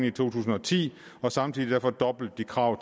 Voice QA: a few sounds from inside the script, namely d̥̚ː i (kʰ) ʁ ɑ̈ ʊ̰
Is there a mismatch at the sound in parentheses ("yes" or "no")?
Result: no